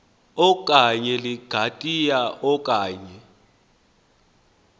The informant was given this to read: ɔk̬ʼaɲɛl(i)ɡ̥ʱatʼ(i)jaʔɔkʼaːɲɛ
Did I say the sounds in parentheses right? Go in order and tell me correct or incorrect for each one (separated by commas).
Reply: correct, correct